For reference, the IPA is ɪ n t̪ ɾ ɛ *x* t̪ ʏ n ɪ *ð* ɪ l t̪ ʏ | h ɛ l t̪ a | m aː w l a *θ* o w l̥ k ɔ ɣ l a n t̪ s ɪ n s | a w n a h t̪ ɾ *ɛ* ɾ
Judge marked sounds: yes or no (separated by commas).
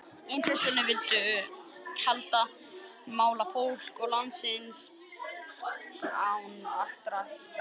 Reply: no, no, no, no